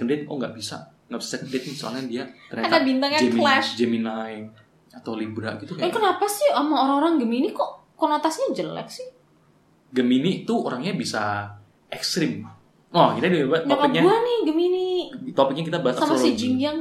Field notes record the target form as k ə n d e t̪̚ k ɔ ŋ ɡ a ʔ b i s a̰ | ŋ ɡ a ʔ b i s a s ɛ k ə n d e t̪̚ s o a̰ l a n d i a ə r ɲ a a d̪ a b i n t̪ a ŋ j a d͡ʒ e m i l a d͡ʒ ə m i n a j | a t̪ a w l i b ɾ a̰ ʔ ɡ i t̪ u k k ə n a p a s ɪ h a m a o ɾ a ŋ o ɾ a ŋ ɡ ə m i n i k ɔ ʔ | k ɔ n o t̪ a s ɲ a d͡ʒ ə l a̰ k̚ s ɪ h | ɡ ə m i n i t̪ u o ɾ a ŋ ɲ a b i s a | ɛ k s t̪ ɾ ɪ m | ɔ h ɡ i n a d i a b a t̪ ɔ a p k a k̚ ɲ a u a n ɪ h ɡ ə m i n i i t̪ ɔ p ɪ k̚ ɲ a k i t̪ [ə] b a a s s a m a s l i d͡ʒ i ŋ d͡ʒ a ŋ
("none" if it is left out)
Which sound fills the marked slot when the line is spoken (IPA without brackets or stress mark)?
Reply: a